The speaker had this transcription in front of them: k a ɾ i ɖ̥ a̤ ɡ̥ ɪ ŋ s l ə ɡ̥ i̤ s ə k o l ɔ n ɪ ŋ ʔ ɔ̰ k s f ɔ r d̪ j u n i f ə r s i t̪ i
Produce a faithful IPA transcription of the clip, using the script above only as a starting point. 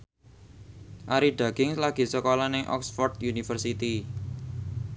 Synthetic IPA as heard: ʔ a ɾ i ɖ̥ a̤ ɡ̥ ɪ ŋ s l a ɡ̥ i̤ s ə k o l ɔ n ɪ ŋ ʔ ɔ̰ k s f ɔ r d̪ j u n i f ə r s i t̪ i